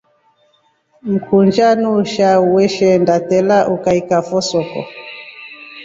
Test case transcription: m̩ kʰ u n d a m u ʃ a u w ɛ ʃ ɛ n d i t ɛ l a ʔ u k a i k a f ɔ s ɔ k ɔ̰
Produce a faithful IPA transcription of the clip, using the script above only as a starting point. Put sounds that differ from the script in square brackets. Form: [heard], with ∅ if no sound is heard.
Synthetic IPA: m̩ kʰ u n [d͡ʒ] a [n] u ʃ a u w ɛ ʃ ɛ n d [a] t ɛ l a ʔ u k a i k a f ɔ s ɔ k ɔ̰